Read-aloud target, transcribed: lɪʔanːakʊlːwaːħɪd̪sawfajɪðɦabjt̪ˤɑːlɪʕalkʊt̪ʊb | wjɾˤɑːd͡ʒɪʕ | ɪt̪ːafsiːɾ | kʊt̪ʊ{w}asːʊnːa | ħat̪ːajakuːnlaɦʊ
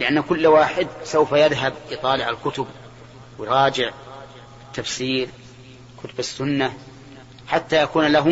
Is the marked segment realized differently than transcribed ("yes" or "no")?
yes